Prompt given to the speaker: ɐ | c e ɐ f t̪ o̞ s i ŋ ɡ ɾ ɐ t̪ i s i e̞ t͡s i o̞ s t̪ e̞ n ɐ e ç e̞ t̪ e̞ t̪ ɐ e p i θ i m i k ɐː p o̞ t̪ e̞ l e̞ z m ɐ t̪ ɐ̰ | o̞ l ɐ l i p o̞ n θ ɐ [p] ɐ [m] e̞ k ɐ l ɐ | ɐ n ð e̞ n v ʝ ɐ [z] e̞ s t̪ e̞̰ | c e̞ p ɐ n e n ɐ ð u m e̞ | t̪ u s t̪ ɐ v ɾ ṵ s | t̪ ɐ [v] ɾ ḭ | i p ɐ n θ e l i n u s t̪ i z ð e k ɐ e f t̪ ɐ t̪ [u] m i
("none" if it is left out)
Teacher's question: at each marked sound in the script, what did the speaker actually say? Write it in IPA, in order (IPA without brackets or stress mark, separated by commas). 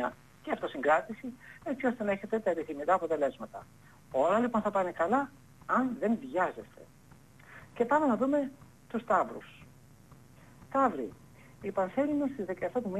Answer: p, n, z, v, u